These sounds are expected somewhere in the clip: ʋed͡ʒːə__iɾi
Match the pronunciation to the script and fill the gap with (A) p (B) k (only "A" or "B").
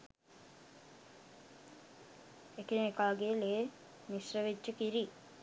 B